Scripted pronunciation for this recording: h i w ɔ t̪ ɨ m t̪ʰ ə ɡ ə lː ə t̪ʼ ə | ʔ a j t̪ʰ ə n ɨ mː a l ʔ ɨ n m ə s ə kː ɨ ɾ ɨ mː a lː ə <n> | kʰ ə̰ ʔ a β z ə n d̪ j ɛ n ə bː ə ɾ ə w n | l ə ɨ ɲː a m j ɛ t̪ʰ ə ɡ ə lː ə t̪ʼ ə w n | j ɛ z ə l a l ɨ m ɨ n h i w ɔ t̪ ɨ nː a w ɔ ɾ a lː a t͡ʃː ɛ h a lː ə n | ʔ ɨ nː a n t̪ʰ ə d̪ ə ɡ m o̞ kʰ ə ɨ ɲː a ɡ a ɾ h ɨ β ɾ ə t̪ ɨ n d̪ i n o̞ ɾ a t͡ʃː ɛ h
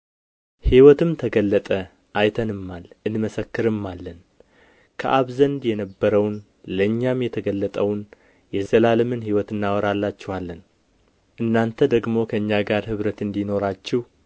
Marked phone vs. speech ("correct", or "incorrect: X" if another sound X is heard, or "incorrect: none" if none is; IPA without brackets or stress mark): correct